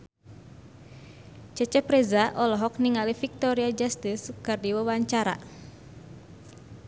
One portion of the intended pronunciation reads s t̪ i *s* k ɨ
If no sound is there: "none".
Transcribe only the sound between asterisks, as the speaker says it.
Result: s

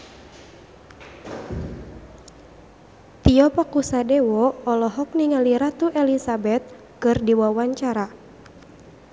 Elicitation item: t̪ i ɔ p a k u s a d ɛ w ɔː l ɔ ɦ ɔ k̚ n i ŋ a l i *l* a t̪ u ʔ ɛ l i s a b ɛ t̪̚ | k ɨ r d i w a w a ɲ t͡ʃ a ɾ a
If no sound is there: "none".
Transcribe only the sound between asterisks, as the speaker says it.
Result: ɾ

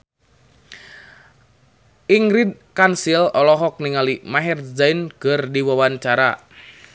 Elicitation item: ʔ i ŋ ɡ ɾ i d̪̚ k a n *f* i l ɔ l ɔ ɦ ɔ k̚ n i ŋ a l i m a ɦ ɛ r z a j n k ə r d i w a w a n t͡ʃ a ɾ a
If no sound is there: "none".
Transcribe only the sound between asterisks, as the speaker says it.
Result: s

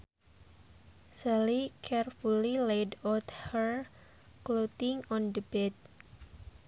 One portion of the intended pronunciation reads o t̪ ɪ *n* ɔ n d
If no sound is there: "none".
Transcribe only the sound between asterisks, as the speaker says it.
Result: ŋ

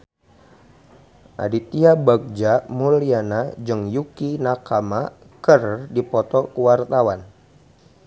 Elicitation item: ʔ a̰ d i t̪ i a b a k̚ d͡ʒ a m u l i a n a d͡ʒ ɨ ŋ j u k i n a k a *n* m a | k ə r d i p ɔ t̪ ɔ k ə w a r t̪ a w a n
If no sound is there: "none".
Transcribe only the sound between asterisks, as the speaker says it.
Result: none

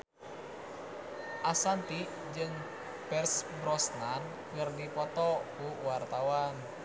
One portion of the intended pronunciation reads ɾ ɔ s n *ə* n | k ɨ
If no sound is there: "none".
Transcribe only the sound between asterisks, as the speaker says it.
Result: a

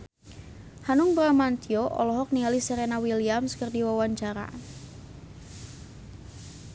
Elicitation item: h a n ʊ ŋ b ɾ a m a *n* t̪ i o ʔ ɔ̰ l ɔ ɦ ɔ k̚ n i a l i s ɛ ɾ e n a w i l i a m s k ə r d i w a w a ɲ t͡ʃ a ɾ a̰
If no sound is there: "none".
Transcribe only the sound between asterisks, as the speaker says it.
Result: n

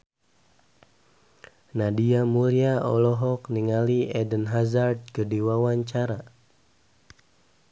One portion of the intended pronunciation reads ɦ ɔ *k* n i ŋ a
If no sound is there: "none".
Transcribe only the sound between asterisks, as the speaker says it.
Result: k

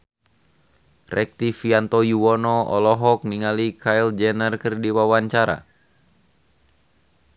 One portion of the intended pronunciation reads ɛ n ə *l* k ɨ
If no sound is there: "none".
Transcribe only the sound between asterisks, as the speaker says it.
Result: r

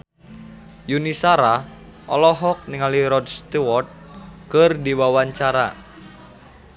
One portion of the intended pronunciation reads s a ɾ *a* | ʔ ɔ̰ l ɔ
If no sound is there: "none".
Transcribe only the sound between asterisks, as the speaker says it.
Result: a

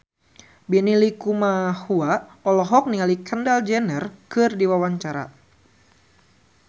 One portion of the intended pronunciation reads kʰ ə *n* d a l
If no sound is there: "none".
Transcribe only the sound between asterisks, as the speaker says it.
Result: n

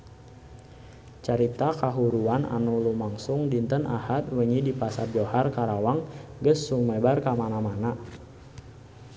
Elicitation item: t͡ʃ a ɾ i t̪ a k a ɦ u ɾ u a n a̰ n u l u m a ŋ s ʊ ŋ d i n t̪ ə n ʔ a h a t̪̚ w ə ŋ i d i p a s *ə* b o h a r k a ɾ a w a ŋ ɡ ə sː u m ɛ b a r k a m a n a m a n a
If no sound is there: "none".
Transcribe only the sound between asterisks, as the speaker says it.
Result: a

